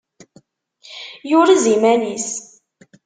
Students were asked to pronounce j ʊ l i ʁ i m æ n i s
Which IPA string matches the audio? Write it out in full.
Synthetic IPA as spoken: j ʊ ɾ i z i m æ n i s